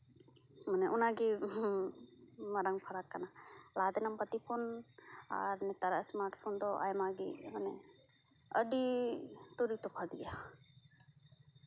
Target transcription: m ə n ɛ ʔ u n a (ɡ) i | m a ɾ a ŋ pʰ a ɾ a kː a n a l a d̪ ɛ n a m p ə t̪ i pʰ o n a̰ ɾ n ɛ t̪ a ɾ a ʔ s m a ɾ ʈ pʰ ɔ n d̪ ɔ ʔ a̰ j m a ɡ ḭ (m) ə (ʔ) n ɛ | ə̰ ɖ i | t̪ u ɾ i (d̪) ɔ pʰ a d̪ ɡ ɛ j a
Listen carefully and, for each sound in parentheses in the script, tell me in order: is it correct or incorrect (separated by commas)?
correct, correct, incorrect, incorrect